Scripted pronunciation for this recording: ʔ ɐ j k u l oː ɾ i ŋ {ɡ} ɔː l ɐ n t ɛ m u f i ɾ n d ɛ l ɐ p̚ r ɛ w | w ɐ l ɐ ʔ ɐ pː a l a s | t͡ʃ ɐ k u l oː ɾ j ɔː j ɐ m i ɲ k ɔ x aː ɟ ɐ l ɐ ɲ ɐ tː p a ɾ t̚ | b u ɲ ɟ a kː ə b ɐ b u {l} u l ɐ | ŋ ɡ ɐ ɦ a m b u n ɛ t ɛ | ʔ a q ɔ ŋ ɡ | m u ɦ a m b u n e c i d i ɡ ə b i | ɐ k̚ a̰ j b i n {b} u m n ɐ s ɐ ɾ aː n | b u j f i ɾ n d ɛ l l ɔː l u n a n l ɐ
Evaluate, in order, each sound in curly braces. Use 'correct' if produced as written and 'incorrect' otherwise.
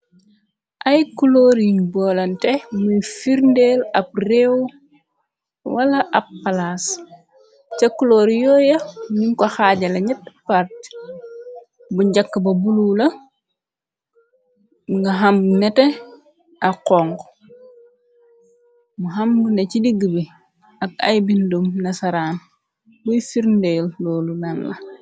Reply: incorrect: b, correct, incorrect: d

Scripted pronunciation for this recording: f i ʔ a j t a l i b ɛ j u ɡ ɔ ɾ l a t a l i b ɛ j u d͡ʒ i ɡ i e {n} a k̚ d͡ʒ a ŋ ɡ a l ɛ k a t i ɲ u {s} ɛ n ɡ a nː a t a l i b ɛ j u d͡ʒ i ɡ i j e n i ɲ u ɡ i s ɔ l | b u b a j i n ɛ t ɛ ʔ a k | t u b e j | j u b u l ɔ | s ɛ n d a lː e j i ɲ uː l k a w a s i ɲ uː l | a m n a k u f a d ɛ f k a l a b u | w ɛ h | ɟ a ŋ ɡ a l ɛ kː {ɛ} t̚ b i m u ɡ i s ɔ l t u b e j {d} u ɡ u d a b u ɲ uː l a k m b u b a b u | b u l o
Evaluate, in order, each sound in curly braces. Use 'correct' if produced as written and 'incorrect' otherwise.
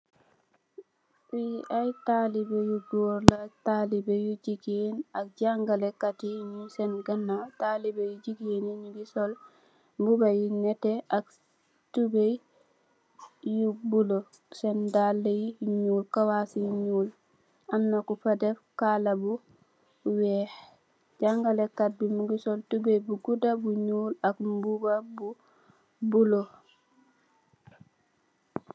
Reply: correct, correct, incorrect: a, incorrect: b

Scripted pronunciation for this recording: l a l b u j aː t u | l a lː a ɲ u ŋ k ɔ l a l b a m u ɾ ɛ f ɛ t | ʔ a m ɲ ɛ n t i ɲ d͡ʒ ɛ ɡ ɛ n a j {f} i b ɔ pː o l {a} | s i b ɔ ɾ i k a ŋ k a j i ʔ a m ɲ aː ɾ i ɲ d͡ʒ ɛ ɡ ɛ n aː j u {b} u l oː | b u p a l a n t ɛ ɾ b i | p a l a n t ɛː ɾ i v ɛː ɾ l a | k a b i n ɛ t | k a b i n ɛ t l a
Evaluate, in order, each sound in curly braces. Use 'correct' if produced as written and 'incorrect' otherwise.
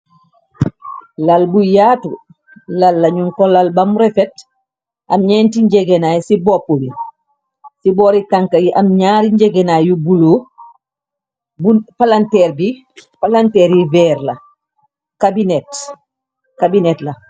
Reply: incorrect: s, incorrect: i, correct

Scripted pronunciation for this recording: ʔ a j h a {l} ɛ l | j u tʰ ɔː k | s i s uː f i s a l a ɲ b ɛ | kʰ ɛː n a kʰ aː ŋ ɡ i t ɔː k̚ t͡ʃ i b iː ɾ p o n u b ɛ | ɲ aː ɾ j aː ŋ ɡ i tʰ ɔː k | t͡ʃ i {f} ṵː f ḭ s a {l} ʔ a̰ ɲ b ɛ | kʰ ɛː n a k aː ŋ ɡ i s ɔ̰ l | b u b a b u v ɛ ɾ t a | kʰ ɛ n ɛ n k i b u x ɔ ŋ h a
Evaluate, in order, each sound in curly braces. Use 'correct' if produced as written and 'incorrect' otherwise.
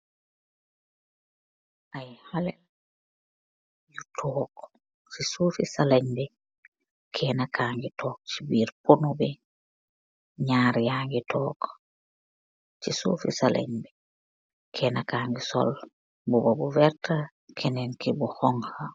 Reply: correct, incorrect: s, correct

